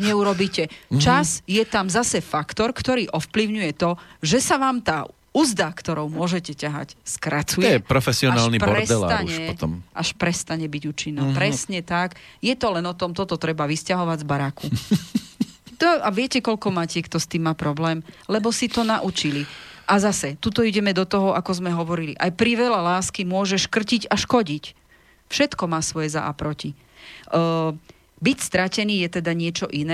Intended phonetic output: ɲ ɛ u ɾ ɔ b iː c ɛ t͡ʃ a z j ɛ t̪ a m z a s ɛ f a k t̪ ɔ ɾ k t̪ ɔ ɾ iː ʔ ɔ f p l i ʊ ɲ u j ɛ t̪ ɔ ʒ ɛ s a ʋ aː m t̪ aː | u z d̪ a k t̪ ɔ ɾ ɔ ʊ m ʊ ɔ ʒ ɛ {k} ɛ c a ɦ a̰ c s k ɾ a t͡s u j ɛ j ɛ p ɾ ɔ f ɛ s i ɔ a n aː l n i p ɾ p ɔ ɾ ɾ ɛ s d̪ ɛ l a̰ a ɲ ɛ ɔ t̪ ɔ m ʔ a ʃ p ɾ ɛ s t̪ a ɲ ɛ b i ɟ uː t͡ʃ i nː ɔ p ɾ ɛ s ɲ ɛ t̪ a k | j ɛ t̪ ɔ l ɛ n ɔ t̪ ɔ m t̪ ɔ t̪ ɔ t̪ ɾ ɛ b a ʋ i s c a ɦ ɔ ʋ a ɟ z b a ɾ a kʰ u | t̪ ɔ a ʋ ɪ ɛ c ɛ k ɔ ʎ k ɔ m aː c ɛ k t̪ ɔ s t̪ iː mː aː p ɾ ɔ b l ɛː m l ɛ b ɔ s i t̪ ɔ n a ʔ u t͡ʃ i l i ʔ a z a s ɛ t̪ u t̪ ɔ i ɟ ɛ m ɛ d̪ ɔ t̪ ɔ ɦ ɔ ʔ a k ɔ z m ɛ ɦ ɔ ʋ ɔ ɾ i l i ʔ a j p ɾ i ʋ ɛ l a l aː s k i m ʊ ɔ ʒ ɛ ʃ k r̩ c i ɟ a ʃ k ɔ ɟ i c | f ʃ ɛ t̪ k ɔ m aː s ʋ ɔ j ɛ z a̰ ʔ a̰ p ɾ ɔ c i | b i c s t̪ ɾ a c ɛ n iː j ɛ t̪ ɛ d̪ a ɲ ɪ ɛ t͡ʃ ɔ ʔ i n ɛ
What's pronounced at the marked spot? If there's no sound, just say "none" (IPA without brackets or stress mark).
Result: c